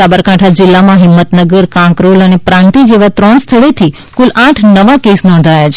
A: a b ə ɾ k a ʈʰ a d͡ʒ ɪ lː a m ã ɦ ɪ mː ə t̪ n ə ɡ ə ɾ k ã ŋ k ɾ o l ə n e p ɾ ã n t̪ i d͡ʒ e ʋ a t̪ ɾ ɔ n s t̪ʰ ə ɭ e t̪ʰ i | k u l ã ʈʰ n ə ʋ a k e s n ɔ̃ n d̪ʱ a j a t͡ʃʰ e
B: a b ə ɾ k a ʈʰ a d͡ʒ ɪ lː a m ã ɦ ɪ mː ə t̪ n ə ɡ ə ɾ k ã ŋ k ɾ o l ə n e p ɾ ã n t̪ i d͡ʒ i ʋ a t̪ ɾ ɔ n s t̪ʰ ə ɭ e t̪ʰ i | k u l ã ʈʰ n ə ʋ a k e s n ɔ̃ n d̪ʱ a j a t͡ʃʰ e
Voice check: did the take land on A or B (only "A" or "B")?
A